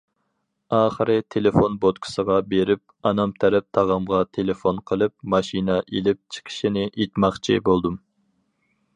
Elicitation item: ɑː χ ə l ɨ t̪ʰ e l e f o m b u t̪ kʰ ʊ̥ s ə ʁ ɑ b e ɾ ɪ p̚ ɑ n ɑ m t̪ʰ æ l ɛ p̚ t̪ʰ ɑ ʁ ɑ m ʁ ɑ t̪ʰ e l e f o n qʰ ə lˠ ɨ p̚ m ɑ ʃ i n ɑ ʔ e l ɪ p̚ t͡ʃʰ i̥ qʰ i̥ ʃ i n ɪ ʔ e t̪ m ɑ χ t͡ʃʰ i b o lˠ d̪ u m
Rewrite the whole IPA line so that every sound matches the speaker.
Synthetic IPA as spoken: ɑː χ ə ɾ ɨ t̪ʰ e l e f o n b o t̪ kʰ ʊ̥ s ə ʁ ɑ b e ɾ ɪ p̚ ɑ n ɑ m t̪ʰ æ ɾ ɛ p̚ t̪ʰ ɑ ʁ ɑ m ʁ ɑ t̪ʰ e l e f o n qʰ ə lˠ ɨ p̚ m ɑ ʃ i n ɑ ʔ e l ɪ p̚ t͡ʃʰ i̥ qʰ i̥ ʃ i n ɪ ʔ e t̪ m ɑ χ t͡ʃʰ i b o lˠ d̪ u m